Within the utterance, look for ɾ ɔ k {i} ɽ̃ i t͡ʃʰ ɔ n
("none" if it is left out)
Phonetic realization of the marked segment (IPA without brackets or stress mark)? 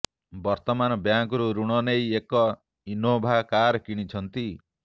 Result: i